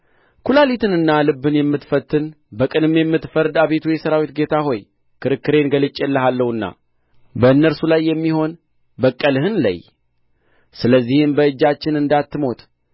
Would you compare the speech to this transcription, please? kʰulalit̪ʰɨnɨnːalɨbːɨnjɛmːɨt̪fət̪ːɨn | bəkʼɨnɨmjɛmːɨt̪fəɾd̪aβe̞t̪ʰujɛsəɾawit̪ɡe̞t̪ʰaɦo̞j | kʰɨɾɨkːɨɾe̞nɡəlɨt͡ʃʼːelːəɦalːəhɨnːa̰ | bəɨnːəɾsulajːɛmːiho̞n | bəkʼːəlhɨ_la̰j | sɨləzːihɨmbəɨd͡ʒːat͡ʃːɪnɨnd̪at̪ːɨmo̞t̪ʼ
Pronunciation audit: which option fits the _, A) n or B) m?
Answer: A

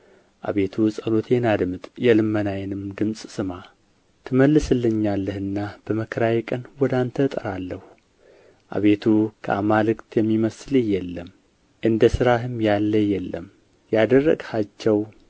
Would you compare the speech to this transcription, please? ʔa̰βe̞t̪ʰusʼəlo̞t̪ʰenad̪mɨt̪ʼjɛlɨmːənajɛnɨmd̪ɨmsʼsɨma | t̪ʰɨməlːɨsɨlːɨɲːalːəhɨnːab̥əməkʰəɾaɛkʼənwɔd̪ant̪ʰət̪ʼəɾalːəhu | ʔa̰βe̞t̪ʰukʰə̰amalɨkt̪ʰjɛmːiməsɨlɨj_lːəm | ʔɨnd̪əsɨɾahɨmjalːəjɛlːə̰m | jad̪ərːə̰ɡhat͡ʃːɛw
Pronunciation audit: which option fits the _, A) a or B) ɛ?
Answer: B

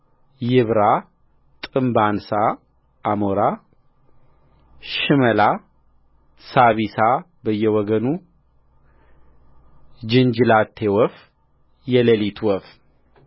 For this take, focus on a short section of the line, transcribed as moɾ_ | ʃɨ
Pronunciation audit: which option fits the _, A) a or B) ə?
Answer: A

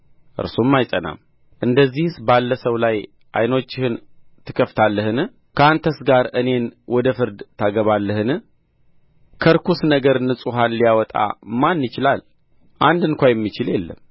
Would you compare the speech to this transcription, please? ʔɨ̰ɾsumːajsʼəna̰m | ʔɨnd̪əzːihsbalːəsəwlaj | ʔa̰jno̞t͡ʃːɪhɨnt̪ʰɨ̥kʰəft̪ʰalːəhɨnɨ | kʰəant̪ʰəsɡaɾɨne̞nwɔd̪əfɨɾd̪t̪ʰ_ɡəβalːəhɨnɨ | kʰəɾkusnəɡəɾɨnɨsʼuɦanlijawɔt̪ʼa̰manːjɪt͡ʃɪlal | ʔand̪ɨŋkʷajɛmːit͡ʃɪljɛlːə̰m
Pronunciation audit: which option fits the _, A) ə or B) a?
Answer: B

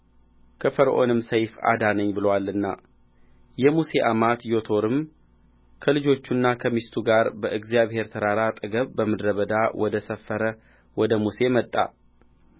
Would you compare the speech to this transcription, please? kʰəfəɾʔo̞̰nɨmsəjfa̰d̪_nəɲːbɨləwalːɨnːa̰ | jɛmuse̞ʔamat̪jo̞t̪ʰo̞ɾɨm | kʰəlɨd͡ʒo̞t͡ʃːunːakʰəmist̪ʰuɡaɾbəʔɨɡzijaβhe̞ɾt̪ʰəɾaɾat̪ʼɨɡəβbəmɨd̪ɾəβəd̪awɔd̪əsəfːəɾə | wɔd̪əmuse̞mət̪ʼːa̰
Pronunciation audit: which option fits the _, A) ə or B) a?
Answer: B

